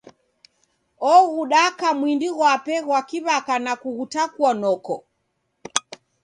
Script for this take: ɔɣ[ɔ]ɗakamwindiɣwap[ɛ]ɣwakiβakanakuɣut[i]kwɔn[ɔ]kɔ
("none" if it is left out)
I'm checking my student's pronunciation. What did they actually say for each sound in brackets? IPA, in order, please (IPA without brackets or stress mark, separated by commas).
u, ɛ, a, ɔ